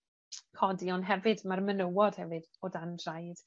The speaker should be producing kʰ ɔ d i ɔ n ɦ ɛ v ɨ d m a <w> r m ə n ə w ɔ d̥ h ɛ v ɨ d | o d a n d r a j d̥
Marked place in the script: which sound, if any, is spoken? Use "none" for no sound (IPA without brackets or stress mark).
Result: none